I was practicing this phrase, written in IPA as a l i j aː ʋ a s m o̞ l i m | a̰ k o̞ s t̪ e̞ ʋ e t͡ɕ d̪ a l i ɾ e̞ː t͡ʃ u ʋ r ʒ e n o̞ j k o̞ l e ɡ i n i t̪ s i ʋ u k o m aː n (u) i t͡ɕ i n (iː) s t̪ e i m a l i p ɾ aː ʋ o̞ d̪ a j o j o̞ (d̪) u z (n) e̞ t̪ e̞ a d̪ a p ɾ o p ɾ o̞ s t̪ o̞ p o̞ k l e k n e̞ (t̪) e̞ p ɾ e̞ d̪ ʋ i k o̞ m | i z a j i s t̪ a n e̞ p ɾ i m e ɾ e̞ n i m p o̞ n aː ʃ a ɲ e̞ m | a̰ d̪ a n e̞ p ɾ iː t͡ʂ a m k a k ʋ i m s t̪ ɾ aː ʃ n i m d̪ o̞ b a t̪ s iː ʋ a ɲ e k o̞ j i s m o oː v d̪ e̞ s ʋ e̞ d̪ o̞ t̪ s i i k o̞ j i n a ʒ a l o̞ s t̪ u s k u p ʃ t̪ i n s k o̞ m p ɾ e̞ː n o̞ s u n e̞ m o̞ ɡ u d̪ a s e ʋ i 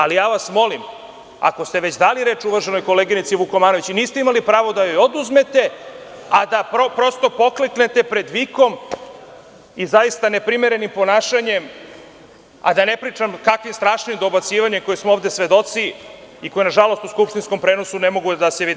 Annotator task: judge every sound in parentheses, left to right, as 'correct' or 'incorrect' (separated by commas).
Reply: incorrect, correct, correct, incorrect, correct